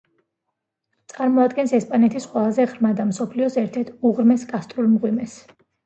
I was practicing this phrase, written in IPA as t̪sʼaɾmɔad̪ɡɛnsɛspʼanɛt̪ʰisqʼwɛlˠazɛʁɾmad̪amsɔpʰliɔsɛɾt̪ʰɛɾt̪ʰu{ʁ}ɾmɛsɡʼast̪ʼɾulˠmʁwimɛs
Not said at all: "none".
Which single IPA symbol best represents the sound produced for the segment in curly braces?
ʁ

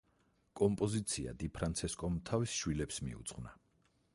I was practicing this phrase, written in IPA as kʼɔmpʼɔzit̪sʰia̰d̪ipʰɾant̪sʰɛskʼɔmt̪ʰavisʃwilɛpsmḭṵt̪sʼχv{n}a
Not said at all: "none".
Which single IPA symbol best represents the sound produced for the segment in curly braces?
n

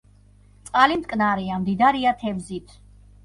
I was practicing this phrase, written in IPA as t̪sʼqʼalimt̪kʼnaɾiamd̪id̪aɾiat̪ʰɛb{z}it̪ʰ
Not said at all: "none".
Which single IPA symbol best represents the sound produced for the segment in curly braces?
z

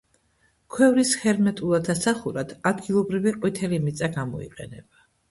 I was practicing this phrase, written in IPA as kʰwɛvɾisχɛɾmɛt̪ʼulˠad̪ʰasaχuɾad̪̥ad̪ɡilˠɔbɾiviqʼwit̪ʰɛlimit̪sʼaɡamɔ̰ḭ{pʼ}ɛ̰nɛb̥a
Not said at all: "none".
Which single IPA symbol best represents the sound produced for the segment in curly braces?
qʼ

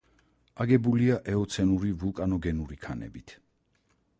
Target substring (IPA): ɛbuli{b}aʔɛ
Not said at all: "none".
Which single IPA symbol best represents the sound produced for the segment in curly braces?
none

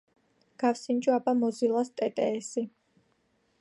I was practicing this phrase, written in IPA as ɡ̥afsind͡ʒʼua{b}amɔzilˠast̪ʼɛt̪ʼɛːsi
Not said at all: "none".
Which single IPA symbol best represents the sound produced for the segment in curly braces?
b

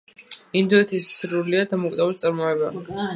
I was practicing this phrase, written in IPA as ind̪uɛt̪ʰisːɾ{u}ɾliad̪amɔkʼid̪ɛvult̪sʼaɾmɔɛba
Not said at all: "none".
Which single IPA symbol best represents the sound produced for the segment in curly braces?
u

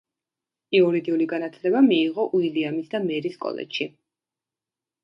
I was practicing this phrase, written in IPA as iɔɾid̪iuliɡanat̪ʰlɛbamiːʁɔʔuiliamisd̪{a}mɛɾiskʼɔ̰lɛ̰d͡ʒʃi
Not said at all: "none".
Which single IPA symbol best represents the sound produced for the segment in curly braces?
a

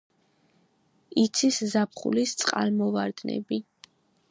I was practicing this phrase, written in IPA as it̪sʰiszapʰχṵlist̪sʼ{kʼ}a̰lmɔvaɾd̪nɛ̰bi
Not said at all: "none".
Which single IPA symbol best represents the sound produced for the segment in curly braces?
qʼ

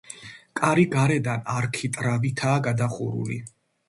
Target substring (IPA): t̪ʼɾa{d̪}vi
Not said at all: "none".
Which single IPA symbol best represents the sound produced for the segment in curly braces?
none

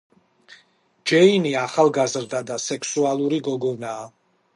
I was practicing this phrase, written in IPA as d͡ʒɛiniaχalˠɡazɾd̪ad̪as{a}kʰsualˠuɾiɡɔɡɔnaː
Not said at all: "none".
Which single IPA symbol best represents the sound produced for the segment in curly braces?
ɛ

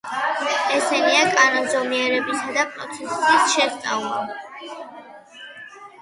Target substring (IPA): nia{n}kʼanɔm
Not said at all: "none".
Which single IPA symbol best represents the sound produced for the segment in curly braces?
none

